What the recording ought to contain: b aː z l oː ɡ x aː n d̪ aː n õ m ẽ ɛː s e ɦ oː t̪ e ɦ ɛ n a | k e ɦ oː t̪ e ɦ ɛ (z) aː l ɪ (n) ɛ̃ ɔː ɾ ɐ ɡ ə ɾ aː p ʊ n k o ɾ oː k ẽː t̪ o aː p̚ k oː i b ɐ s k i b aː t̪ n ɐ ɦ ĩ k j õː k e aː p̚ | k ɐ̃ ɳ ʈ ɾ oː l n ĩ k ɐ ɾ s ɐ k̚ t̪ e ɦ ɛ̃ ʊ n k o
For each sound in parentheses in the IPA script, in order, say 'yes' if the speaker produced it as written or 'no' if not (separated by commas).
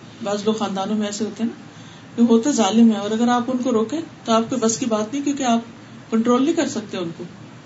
yes, no